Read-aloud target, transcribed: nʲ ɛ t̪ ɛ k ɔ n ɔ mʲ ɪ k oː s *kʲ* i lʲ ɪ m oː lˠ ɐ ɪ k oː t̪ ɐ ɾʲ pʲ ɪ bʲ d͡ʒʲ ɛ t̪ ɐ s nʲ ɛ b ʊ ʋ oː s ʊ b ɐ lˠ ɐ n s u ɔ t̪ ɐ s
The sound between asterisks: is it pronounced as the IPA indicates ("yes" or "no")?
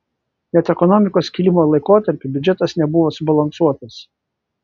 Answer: yes